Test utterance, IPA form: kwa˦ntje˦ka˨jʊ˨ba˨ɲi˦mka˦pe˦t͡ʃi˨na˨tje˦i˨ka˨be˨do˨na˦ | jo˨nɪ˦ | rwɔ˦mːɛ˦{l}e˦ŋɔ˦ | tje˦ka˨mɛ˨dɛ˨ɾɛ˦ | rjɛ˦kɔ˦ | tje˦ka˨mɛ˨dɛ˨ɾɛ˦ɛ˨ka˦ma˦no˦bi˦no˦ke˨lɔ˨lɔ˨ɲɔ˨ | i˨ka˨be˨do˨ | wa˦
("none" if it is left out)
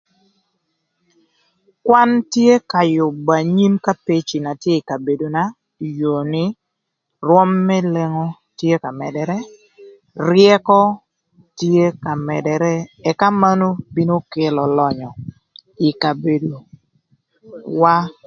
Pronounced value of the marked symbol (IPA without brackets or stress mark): l